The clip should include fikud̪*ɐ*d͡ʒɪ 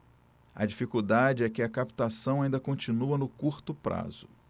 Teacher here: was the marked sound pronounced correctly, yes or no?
no